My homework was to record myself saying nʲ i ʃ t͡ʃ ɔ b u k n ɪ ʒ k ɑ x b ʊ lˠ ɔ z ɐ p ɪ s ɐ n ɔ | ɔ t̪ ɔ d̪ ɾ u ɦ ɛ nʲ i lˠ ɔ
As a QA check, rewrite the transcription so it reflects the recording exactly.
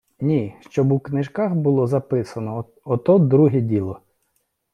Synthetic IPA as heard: nʲ i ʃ t͡ʃ ɔ b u k n ɪ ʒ k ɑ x b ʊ lˠ ɔ z ɐ p ɪ s ɐ n ɔ | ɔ t̪ ɔ d̪ ɾ u ɦ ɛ dʲ i lˠ ɔ